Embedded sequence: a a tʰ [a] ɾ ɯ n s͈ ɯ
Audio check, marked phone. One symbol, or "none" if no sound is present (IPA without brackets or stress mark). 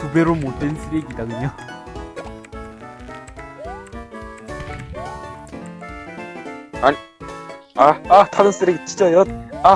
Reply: a